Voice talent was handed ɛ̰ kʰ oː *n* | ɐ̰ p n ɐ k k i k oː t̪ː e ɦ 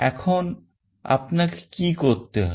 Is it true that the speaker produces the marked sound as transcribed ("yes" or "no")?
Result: yes